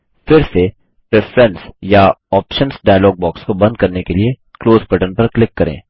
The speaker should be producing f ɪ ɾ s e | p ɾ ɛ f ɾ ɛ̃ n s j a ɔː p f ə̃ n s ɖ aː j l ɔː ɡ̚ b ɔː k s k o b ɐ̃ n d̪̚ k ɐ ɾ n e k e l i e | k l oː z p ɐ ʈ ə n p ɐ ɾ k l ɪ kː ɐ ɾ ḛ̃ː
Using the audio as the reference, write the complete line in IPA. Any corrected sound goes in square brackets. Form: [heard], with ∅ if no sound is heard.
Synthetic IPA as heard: f ɪ ɾ s e | p ɾ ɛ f ɾ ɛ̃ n s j a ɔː p [ʃ] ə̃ n s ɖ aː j l ɔː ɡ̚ b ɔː k s k o b ɐ̃ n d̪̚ k ɐ ɾ n e k e l i e | k l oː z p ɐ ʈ ə n p ɐ ɾ k l ɪ kː ɐ ɾ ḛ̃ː